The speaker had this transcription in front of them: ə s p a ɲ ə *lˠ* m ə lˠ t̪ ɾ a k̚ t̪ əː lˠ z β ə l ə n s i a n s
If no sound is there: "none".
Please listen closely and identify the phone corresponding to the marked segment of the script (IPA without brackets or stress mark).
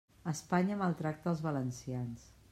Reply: none